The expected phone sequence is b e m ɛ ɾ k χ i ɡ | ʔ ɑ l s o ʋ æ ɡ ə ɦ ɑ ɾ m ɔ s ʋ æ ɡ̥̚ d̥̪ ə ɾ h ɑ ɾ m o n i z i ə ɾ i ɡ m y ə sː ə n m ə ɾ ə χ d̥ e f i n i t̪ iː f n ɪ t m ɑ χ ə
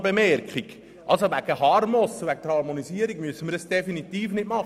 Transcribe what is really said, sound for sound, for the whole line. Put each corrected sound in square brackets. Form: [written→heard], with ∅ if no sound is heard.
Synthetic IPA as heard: b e m ɛ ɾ k χ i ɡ | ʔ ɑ l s o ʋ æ ɡ ə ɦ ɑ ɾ m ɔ s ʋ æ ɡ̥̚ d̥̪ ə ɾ h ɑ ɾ m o n i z i ə ɾ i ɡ m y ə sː ə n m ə ɾ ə [χ→s] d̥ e f i n i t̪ iː f n ɪ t m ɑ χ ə